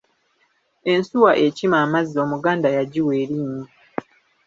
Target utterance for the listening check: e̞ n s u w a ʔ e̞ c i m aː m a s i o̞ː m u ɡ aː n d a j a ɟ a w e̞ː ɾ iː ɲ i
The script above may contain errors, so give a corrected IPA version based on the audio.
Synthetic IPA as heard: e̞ n s u w a ʔ e̞ c i m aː m a z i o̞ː m u ɡ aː n d a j a ɟ i w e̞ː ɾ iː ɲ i